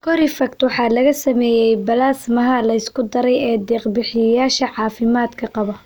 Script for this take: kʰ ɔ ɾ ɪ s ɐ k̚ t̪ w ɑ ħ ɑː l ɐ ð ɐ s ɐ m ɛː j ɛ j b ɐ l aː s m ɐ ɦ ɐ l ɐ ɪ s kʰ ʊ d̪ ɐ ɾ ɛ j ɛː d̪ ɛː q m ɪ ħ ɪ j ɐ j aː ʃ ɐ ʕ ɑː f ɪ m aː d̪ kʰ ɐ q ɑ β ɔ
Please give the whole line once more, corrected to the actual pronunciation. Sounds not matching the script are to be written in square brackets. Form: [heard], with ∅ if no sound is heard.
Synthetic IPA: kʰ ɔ ɾ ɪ [f] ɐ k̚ t̪ w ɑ ħ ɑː l ɐ [ɣ] ɐ s ɐ m ɛː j ɛ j b ɐ l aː s m ɐ ɦ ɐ l ɐ ɪ s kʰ ʊ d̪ ɐ ɾ ɛ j ɛː d̪ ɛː q [b] ɪ ħ ɪ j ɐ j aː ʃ ɐ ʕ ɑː f ɪ m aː d̪ kʰ ɐ q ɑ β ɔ